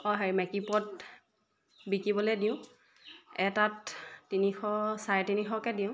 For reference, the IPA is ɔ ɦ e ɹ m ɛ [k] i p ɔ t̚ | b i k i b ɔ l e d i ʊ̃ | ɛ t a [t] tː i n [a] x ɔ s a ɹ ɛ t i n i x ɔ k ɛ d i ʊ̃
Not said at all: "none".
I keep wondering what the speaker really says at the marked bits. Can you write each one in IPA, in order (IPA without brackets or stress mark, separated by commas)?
k, t, i